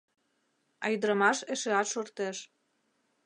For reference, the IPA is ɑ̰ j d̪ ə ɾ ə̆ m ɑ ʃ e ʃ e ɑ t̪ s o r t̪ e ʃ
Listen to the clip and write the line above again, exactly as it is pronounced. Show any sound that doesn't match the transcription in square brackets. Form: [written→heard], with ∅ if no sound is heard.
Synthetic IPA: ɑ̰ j d̪ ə ɾ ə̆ m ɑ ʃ e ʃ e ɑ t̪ [s→ʃ] o r t̪ e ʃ